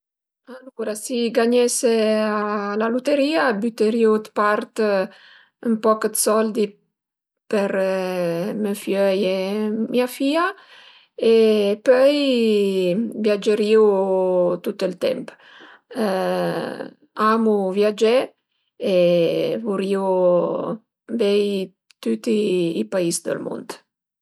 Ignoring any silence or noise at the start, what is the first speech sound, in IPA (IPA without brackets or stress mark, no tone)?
a